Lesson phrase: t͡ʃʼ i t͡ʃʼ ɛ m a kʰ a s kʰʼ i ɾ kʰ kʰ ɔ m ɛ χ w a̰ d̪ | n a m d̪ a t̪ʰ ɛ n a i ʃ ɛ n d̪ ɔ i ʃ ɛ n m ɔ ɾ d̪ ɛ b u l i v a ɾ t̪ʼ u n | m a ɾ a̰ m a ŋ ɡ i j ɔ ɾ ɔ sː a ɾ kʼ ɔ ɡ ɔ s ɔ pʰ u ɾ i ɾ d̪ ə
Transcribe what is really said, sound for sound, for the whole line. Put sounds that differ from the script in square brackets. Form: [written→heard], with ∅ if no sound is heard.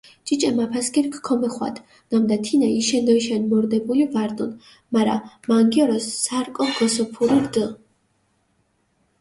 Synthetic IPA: t͡ʃʼ i t͡ʃʼ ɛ m a [kʰ→pʰ] a s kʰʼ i ɾ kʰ kʰ ɔ m ɛ χ w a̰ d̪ | n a m d̪ a t̪ʰ [ɛ→i] n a i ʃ ɛ n d̪ ɔ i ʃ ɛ n m ɔ ɾ d̪ ɛ b u l i v a ɾ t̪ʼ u n | m a ɾ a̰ m a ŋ ɡ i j ɔ ɾ ɔ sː a ɾ kʼ ɔ ɡ ɔ s ɔ pʰ u ɾ i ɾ d̪ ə